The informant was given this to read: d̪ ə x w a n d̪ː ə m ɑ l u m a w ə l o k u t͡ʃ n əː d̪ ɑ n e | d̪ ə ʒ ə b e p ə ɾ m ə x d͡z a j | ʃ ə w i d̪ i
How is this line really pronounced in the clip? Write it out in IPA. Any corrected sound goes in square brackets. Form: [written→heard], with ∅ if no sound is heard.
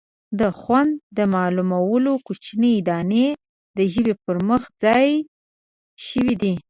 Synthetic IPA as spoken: d̪ ə x w a n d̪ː ə m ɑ l u m a w ə l o k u t͡ʃ n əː d̪ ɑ n e | d̪ ə ʒ ə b e p ə ɾ m ə x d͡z [a→ɑ] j | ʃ ə w i d̪ i